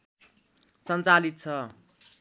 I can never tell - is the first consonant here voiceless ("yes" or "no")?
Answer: yes